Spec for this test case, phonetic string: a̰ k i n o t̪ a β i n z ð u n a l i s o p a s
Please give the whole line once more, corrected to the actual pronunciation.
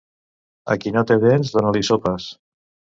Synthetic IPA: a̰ k i n o t̪ e β e n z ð o n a l i s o p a s